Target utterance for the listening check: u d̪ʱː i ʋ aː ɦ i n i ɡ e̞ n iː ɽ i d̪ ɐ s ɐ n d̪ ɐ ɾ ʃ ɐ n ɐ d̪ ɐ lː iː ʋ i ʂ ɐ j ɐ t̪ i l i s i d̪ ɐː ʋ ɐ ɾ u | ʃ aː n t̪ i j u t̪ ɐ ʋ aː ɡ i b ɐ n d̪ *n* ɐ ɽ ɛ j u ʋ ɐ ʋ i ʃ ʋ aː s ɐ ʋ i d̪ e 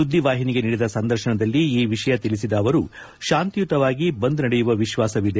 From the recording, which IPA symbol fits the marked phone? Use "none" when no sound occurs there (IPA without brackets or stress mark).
n